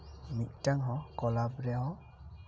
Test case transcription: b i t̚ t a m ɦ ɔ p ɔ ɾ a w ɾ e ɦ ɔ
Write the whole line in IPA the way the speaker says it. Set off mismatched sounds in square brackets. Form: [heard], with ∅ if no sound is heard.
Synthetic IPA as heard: [m] i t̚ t a [ŋ] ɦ ɔ [k] ɔ [l] a [b] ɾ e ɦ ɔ